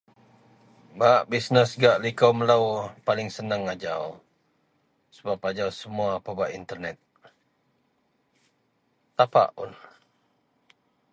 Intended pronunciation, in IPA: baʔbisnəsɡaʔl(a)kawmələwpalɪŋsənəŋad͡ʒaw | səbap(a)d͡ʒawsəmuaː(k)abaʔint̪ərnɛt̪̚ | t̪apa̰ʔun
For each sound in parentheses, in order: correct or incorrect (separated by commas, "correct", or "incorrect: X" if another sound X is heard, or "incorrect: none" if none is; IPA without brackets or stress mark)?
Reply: incorrect: i, correct, incorrect: p